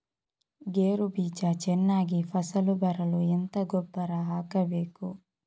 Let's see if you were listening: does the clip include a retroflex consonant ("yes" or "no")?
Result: no